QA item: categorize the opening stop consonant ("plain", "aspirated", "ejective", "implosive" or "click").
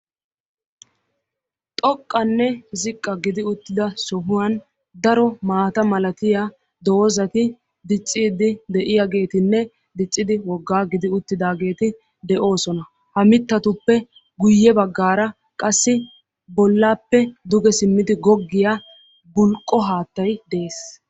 ejective